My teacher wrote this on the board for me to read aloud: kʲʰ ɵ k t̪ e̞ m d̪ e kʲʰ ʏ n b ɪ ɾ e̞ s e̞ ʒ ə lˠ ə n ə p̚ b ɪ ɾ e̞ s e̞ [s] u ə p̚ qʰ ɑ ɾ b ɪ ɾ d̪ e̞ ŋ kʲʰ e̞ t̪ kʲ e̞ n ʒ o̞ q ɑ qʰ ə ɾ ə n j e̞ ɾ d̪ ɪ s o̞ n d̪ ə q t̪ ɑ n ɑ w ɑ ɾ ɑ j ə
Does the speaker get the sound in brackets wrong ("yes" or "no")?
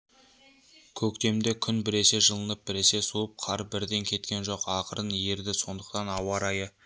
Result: no